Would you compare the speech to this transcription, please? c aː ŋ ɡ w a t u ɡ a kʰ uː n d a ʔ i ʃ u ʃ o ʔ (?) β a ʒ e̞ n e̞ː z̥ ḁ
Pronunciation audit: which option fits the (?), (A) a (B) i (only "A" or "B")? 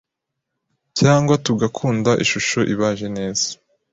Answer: B